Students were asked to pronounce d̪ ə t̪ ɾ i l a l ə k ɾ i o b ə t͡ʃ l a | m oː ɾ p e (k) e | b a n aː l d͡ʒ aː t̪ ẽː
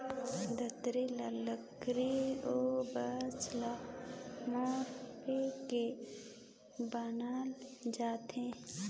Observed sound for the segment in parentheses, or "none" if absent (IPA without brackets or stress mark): k